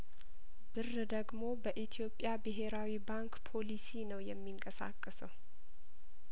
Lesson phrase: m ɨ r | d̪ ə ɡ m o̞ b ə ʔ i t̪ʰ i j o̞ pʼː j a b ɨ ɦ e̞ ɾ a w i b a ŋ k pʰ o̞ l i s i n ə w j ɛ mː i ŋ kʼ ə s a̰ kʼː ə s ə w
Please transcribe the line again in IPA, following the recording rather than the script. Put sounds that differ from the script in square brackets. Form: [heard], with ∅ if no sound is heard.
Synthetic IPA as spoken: [b] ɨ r | d̪ ə ɡ m o̞ b ə ʔ i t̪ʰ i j o̞ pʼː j a b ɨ ɦ e̞ ɾ a w i b a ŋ k pʰ o̞ l i s i n ə w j ɛ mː i ŋ kʼ ə s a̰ kʼː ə s ə w